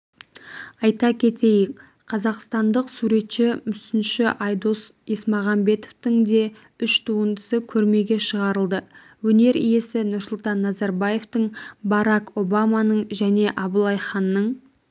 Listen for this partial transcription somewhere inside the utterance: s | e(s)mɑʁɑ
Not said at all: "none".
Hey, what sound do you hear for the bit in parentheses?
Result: s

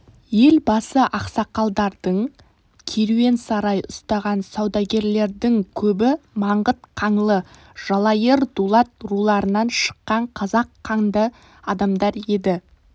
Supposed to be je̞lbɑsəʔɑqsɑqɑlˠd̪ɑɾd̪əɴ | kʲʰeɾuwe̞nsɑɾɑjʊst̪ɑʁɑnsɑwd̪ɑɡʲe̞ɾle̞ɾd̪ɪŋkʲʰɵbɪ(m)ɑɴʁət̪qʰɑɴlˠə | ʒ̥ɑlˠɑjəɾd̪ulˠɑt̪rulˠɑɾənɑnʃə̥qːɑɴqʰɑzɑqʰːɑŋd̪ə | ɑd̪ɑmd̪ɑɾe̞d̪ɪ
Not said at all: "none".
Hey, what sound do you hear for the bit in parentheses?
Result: m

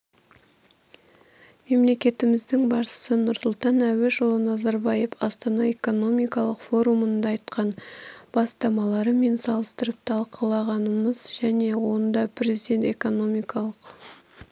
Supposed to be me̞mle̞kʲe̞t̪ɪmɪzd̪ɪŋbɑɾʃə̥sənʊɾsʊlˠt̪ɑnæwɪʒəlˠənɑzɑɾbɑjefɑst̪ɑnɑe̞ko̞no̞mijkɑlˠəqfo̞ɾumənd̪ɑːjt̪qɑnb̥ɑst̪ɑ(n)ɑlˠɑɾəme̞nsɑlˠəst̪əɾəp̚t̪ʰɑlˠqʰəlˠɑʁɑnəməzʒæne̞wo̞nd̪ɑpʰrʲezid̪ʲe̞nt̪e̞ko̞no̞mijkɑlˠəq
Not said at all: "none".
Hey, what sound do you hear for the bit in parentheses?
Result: m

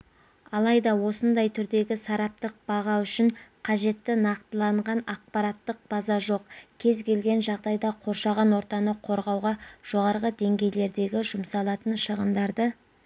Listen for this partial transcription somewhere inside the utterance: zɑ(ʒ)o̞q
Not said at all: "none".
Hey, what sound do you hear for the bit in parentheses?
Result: ʒ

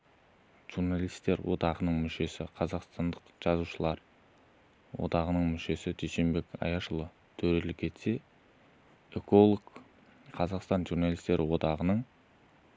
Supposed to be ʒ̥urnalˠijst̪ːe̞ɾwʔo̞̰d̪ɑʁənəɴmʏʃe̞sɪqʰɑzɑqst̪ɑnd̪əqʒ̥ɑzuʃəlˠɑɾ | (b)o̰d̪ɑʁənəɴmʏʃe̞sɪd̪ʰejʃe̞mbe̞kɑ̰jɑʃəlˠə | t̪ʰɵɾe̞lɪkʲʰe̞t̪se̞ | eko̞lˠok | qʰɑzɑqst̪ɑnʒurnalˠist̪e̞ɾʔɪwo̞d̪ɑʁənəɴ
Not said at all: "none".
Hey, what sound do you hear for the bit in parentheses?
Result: w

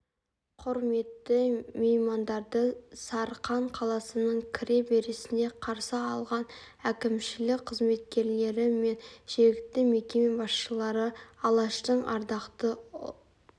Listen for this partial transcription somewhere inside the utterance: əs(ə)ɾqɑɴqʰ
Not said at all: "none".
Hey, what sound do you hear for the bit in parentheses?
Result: ɑ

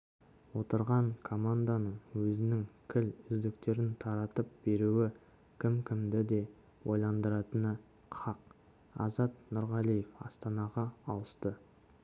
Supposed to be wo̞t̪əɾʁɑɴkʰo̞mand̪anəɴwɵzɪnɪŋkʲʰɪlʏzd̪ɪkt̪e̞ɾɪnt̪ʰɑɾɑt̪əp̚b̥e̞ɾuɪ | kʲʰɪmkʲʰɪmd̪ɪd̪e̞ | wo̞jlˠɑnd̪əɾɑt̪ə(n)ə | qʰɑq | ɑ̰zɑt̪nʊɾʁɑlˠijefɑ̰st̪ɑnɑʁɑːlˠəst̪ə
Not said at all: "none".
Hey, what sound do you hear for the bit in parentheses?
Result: n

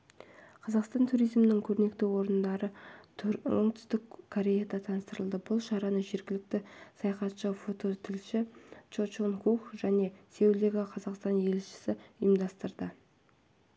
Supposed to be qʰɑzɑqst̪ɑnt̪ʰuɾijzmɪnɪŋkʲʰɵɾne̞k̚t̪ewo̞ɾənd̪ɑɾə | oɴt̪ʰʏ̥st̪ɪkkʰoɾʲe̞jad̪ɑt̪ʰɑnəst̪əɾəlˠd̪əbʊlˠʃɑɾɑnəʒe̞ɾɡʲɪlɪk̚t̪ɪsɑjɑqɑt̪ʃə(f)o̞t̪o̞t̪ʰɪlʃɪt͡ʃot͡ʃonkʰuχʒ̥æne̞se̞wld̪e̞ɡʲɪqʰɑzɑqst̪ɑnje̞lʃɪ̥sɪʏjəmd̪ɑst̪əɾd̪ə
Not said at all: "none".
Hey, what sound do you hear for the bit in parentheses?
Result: f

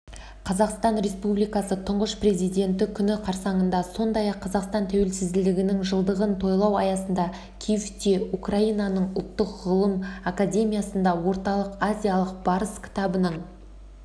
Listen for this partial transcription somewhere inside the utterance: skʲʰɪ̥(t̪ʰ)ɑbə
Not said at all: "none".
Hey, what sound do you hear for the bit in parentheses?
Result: t̪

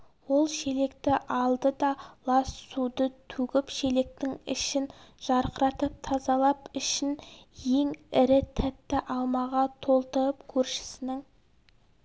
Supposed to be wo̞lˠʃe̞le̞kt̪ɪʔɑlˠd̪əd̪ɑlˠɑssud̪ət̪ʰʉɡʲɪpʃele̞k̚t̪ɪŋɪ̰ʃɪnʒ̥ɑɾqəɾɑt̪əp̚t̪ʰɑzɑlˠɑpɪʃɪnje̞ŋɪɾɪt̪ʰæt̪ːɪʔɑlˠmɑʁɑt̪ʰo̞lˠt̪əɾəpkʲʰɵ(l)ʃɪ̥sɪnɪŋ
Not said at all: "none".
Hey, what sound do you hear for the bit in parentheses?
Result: ɾ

